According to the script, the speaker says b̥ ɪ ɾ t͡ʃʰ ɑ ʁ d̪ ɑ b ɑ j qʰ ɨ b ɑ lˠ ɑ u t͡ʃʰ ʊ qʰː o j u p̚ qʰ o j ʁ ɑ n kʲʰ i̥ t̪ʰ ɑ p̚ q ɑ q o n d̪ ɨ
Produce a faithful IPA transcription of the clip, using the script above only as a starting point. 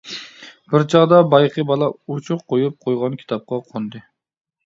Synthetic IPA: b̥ ɪ ɾ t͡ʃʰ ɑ ʁ d̪ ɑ b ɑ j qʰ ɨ b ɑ lˠ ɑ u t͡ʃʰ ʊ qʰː o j u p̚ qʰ o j ʁ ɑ n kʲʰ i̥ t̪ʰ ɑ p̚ q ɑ qʰ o n d̪ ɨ